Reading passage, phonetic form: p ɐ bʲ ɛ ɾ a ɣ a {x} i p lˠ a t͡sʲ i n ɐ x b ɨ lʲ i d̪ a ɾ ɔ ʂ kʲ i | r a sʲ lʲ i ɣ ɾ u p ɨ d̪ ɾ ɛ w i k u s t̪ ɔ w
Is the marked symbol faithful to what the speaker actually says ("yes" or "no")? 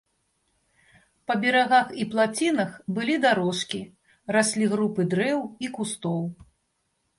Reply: yes